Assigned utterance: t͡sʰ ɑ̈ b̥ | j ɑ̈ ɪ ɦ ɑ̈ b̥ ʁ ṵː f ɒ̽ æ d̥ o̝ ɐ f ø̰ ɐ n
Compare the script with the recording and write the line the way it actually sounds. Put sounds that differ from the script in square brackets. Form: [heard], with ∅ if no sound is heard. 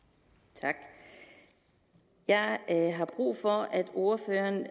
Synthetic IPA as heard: t͡sʰ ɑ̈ [ɡ̥] | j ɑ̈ ɪ ɦ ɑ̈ b̥ ʁ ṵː f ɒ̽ æ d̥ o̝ ɐ f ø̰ ɐ n